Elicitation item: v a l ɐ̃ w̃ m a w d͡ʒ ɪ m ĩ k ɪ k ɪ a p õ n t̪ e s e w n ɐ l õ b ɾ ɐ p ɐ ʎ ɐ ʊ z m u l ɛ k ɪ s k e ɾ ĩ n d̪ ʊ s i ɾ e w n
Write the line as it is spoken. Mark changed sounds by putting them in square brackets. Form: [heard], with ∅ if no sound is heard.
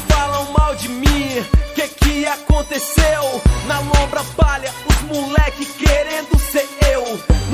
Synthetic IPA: [f] a l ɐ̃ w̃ m a w d͡ʒ ɪ m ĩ k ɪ k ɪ a [k] õ n t̪ e s e w n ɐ l õ b ɾ ɐ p [a] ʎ ɐ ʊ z m u l ɛ k ɪ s k e ɾ [ẽ] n d̪ ʊ s [e] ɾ e w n